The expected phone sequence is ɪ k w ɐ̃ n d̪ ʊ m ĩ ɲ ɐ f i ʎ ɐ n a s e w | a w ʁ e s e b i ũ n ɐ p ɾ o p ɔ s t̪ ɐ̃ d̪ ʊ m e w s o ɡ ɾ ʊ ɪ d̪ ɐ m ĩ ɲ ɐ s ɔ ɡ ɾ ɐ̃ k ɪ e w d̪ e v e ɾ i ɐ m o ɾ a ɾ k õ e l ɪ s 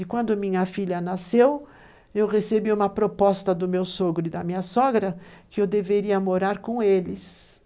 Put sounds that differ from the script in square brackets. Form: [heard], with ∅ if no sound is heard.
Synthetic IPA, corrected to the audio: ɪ k w ɐ̃ n d̪ ʊ m ĩ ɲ ɐ f i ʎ ɐ n a s e w | [e] w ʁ e s e b i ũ [m] ɐ p ɾ o p ɔ s t̪ [ɐ] d̪ ʊ m e w s o ɡ ɾ ʊ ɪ d̪ ɐ m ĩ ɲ ɐ s ɔ ɡ ɾ [ɐ] k ɪ e w d̪ e v e ɾ i ɐ m o ɾ a ɾ k õ e l ɪ s